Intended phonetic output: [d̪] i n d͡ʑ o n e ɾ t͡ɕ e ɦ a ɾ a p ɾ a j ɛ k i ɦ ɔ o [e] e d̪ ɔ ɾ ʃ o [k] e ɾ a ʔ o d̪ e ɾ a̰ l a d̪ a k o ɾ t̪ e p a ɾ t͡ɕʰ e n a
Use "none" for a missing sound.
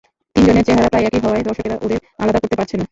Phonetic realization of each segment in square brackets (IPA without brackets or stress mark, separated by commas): t̪, a, k